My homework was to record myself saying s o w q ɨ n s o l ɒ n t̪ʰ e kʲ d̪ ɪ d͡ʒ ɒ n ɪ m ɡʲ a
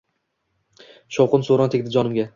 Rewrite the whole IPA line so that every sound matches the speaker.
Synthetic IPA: ʃ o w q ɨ n s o ɾ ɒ n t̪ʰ e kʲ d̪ ɪ d͡ʒ ɒ n ɪ m ɡʲ a